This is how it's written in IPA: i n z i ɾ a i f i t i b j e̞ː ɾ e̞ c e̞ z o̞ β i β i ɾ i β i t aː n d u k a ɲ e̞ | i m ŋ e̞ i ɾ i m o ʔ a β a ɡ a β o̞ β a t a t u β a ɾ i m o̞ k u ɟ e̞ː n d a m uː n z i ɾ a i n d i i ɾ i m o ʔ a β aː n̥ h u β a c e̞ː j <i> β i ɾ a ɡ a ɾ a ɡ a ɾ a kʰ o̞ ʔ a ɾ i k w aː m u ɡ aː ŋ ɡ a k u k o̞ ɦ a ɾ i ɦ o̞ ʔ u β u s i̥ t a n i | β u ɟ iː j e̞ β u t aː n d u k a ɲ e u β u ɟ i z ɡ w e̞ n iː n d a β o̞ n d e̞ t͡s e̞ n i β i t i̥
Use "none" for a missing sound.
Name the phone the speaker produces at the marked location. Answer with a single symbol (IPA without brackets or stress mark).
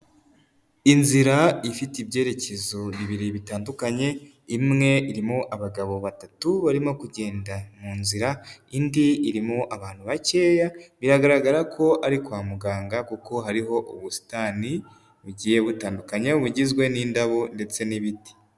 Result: a